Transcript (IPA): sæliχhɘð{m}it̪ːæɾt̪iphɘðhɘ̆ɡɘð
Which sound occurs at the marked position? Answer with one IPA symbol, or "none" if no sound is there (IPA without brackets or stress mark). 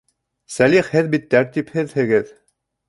b